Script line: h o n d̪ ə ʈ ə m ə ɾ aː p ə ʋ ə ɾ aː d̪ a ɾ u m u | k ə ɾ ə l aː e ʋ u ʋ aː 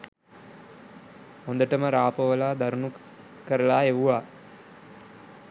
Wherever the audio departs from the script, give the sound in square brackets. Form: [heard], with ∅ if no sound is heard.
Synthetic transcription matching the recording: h o n d̪ ə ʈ ə m ə ɾ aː p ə ʋ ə [l] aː d̪ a ɾ u [n] u | k ə ɾ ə l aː e ʋ u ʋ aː